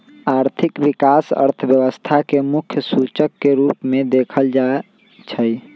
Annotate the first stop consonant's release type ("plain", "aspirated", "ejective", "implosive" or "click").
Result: aspirated